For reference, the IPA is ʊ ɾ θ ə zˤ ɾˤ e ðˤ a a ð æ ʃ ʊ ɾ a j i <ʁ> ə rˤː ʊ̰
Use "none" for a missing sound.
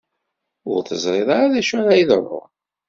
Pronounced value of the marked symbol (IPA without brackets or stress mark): ð